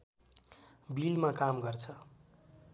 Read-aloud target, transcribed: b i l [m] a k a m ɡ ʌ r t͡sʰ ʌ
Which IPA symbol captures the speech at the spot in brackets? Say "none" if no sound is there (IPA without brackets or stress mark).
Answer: m